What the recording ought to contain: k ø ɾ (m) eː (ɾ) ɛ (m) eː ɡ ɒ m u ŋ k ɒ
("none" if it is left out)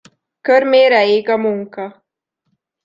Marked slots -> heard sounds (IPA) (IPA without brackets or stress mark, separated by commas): m, ɾ, none